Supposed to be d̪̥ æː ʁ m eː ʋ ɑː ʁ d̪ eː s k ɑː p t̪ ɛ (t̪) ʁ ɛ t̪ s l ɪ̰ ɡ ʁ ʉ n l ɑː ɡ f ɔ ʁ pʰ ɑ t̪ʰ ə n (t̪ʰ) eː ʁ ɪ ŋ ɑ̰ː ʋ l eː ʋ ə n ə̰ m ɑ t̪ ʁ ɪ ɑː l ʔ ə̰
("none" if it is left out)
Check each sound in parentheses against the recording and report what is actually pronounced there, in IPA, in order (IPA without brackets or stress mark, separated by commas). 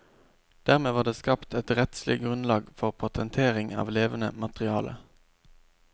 t̪, t̪ʰ